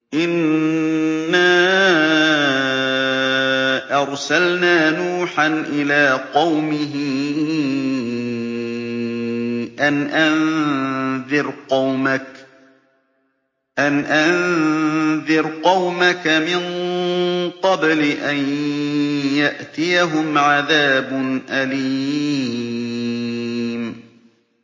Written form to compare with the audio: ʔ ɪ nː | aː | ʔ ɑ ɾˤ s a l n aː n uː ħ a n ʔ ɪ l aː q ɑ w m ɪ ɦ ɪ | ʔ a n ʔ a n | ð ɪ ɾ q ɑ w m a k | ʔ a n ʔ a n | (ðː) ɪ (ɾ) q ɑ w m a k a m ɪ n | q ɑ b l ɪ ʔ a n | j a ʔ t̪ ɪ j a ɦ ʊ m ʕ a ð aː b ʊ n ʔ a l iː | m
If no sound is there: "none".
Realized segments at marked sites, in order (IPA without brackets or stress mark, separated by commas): ð, ɾ